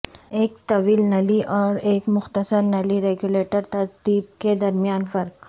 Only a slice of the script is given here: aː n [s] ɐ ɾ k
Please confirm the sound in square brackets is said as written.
no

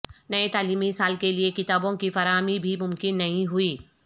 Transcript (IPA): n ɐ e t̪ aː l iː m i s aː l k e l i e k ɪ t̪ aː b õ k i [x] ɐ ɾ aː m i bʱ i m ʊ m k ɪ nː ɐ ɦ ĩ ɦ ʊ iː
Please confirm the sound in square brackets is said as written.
no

